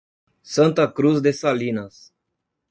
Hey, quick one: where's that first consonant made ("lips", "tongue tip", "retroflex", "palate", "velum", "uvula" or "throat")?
tongue tip